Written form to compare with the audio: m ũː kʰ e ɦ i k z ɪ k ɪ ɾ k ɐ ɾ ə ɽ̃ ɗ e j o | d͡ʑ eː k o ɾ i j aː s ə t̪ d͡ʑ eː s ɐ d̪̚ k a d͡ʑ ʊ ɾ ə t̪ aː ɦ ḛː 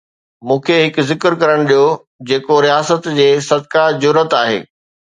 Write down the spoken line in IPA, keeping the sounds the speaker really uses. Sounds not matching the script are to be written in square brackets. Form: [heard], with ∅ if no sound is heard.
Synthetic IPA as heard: m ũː kʰ e ɦ [ɪ] k z ɪ k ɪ ɾ k ɐ ɾ ə ɽ̃ ɗ [i] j o | d͡ʑ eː k o ɾ i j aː s ə t̪ d͡ʑ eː s ɐ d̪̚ k a d͡ʑ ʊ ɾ ə t̪ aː ɦ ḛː